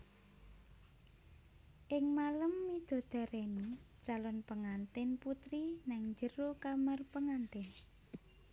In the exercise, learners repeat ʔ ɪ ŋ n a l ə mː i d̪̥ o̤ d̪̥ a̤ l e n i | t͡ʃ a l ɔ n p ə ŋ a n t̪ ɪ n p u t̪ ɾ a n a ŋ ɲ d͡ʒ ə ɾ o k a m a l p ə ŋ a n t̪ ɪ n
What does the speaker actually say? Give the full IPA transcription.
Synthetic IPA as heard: ʔ ɪ ŋ m a l ə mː i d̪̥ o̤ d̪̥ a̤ ɾ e n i | t͡ʃ a l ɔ n p ə ŋ a n t̪ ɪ n p u t̪ ɾ i n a ŋ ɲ d͡ʒ ə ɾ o k a m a r p ə ŋ a n t̪ ɪ n